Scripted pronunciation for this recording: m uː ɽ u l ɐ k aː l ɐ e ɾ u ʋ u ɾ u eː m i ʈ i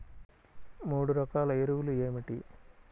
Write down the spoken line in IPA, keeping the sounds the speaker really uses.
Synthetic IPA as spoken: m uː ɽ u ɾ ɐ k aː l ɐ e ɾ u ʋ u l u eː m i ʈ i